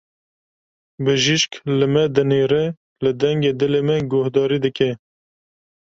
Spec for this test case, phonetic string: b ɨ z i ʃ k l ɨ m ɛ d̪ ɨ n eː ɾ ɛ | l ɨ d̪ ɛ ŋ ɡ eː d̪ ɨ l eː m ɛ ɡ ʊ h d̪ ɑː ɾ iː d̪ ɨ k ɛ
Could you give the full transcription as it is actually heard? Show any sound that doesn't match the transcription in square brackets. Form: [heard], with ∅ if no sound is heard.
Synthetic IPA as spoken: b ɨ [ʒ] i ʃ k l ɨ m ɛ d̪ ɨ n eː ɾ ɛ | l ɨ d̪ ɛ ŋ ɡ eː d̪ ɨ l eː m ɛ ɡ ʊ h d̪ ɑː ɾ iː d̪ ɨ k ɛ